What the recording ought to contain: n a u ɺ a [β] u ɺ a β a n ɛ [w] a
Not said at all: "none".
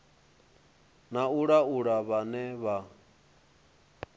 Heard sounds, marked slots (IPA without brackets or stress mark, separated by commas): none, β